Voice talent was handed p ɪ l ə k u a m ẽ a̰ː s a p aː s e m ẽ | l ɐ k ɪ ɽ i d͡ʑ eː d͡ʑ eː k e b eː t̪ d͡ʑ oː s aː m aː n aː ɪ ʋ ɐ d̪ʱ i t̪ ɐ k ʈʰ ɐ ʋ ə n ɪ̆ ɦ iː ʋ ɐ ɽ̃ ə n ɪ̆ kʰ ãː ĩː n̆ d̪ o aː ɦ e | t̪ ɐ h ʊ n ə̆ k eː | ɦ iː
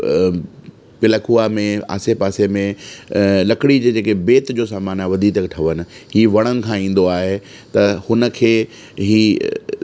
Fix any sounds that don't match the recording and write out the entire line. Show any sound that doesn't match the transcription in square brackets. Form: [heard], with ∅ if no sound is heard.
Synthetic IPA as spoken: p ɪ l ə k u a m ẽ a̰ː s [e] p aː s e m ẽ | l ɐ k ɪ ɽ i d͡ʑ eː d͡ʑ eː k e b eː t̪ d͡ʑ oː s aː m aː n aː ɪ ʋ ɐ d̪ʱ i t̪ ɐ k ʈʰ ɐ ʋ ə n ɪ̆ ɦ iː ʋ ɐ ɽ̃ ə n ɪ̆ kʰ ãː ĩː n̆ d̪ o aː ɦ e | t̪ ɐ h ʊ n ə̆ [kʰ] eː | ɦ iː